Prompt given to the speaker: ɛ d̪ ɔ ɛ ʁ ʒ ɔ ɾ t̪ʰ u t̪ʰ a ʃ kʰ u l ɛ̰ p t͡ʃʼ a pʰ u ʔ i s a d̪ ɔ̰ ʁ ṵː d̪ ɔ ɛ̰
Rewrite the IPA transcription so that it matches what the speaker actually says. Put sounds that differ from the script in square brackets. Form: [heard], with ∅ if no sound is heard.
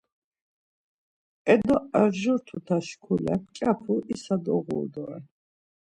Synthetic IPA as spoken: ɛ d̪ ɔ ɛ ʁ ʒ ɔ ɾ t̪ʰ u t̪ʰ a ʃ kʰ u l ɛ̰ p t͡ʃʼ a pʰ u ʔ i s a d̪ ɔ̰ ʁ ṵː d̪ ɔ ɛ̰